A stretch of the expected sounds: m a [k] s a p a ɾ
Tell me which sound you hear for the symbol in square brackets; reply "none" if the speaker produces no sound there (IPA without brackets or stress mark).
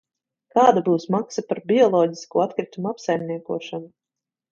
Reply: k